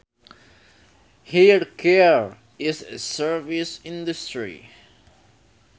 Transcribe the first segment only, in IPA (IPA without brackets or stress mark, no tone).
h